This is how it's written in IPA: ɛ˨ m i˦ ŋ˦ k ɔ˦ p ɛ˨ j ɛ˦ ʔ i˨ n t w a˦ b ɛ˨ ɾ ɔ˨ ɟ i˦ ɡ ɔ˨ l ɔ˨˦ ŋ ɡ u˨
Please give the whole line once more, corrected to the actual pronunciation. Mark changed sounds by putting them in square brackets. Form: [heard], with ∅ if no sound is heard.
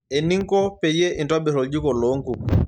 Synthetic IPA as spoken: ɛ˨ [n] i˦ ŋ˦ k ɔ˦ p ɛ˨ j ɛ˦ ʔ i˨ n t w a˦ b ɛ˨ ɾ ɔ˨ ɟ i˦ [k] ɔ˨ l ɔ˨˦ ŋ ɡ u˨